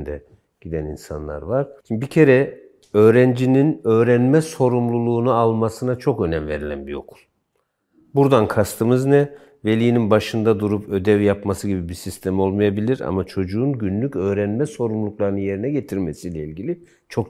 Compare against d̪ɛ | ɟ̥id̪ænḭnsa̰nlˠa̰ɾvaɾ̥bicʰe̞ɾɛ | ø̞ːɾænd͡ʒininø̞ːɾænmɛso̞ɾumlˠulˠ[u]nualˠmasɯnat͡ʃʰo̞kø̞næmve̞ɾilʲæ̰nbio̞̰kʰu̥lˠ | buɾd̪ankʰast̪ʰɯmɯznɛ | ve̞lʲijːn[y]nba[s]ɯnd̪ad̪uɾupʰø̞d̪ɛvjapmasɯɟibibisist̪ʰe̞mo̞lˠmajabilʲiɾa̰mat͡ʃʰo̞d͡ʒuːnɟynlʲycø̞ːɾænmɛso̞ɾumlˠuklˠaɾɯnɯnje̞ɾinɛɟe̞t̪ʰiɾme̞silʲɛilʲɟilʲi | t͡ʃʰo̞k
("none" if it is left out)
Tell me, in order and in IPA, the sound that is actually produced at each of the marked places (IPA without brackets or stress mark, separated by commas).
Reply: uː, i, ʃ